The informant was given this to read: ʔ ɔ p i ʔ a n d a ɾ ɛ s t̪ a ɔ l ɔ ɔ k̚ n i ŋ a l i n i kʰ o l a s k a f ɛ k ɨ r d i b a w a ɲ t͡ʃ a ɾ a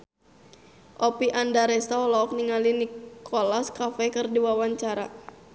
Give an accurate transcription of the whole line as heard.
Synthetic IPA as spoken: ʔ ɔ p i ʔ a n d a ɾ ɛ s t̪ a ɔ l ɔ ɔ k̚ n i ŋ a l i n i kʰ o l a s k a f ɛ k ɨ r d i w a w a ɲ t͡ʃ a ɾ a